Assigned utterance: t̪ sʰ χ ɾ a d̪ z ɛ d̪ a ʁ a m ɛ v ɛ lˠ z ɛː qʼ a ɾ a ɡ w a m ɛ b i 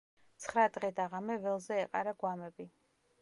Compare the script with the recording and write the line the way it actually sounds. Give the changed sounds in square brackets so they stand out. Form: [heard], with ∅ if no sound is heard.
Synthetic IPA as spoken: t̪ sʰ χ ɾ a d̪ [ʁ] ɛ d̪ a ʁ a m ɛ v ɛ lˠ z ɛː qʼ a ɾ a ɡ w a m ɛ b i